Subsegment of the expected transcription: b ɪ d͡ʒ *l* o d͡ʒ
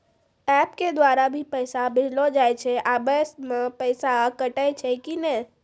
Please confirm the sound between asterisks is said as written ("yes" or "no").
yes